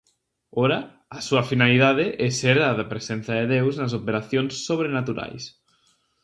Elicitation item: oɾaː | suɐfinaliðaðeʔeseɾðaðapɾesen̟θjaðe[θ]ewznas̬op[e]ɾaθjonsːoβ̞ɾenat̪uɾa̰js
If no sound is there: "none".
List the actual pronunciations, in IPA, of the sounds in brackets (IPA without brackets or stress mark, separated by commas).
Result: ð, e